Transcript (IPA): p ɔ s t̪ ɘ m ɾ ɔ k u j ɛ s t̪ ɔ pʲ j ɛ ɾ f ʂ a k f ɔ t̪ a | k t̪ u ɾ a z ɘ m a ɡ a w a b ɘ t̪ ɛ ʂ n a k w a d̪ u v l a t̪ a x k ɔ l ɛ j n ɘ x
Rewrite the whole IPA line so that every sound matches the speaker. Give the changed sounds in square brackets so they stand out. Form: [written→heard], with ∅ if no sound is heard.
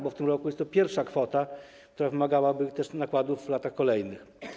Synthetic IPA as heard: [p→b] ɔ [s→f] t̪ ɘ m ɾ ɔ k u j ɛ s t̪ ɔ pʲ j ɛ ɾ f ʂ a k f ɔ t̪ a | k t̪ u ɾ a [z→v] ɘ m a ɡ a w a b ɘ t̪ ɛ ʂ n a k w a d̪ u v l a t̪ a x k ɔ l ɛ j n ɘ x